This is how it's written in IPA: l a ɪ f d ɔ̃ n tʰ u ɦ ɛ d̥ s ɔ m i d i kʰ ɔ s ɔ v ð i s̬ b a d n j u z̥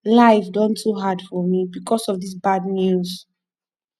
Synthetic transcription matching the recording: l a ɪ f d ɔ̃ n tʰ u ɦ a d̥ f ɔ m i b i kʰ ɔ s ɔ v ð i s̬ b a d n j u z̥